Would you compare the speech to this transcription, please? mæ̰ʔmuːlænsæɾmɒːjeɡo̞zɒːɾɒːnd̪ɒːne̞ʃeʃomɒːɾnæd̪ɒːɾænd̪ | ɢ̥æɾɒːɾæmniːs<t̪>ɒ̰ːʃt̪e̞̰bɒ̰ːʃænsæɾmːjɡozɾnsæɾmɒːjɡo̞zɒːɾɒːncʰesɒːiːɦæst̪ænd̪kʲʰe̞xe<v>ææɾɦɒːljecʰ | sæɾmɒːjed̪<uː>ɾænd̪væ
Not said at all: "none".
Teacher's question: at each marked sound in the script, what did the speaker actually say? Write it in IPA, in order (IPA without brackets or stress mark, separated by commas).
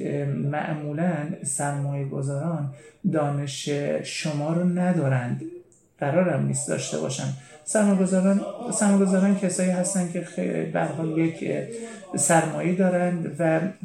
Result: d̪, b, ɒː